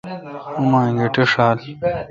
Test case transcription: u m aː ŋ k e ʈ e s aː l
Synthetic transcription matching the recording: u m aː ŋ ɡ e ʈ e ʂ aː l